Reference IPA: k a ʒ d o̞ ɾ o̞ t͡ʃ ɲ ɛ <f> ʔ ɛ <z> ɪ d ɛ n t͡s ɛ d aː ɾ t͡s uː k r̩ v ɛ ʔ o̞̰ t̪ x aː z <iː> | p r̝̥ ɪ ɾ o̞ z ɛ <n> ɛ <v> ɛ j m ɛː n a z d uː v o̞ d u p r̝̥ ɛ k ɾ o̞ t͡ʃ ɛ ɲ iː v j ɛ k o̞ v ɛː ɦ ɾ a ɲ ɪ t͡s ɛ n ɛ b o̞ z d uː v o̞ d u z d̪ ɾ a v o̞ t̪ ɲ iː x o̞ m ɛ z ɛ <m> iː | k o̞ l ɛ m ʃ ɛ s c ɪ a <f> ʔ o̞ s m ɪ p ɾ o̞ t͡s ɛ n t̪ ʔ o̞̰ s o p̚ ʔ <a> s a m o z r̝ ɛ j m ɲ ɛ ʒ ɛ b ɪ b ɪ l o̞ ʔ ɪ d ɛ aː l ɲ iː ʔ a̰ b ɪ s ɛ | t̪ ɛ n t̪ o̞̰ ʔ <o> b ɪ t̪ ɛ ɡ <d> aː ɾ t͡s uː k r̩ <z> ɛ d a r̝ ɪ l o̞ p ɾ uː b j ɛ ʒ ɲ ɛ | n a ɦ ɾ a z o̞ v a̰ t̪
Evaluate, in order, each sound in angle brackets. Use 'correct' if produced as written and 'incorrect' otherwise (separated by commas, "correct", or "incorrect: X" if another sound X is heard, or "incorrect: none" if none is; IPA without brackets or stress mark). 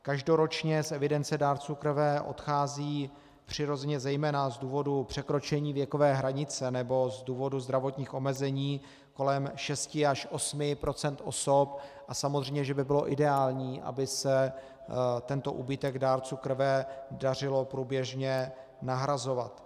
incorrect: s, incorrect: v, correct, incorrect: ɲ, incorrect: z, incorrect: ɲ, incorrect: ʃ, correct, incorrect: u, correct, incorrect: v